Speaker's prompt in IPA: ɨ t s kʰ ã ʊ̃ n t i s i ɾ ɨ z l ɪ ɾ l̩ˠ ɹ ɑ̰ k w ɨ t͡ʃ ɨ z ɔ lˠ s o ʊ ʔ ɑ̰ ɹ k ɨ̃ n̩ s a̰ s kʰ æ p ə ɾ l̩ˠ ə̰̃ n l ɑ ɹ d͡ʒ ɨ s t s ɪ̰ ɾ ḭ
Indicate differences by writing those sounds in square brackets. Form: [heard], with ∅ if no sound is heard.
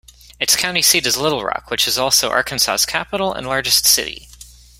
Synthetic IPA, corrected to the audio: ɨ t s kʰ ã ʊ̃ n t i s i ɾ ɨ z l ɪ ɾ l̩ˠ ɹ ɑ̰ k w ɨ t͡ʃ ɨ z ɔ lˠ s o ʊ ʔ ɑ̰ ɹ k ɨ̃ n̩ s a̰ s kʰ æ p ə ɾ l̩ˠ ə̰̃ n l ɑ ɹ d͡ʒ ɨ s t s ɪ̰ ɾ ḭ